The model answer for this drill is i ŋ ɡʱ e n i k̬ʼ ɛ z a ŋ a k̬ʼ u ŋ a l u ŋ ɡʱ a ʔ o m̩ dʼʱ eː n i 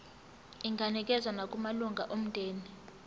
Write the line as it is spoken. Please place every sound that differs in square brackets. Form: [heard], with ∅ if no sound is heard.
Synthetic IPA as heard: i ŋ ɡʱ [a] n i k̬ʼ ɛ z a [n] a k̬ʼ u [m] a l u ŋ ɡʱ a ʔ o m̩ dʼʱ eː n i